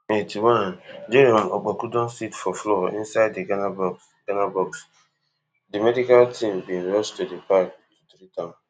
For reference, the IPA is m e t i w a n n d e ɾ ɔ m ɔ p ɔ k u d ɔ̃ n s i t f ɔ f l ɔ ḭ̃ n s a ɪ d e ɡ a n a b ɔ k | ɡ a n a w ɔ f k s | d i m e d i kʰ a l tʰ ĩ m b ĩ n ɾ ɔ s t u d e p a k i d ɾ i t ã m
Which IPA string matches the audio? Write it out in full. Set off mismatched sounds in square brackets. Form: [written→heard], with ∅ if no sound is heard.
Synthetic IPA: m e t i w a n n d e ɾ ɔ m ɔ [p→k͡p] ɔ k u d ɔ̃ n s i t f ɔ f l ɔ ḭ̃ n s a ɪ d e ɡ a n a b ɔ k | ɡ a n a [w→b] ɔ [f→∅] k s | d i m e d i [kʰ→k] a l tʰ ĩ m b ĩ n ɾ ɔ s t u d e p a k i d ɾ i t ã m